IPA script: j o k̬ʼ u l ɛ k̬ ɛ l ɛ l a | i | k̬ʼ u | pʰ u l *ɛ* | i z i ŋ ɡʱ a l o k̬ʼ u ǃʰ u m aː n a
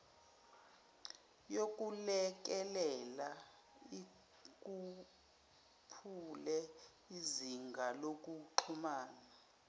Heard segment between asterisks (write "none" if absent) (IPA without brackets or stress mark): ɛ